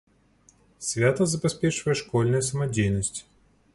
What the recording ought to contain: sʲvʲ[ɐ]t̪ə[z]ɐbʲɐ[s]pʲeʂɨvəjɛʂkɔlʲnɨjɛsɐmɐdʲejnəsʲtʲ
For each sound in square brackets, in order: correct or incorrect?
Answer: incorrect, correct, correct

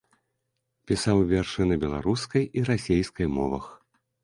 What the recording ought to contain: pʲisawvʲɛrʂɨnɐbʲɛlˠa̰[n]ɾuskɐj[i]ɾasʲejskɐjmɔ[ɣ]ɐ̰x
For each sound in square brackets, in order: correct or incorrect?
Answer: incorrect, correct, incorrect

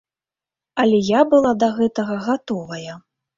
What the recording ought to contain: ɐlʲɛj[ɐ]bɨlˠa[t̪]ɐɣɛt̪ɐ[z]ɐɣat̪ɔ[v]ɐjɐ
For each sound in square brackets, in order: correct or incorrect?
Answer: incorrect, incorrect, incorrect, correct

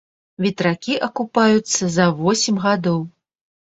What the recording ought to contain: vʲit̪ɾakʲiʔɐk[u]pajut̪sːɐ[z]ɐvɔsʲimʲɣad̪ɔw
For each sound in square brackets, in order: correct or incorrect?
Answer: correct, correct

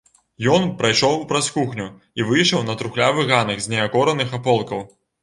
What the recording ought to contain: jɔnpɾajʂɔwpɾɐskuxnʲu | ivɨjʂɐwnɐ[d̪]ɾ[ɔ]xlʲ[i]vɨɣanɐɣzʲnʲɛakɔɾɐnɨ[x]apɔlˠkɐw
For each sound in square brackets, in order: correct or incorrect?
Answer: incorrect, incorrect, incorrect, correct

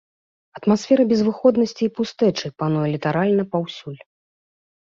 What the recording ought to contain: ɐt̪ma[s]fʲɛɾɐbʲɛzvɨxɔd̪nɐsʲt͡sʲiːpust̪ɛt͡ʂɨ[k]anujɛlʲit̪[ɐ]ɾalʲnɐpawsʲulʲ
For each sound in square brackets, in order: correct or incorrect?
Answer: correct, incorrect, incorrect

